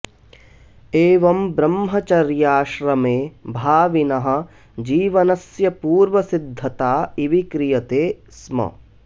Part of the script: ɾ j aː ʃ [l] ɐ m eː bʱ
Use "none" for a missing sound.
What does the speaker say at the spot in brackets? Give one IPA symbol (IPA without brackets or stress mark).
ɾ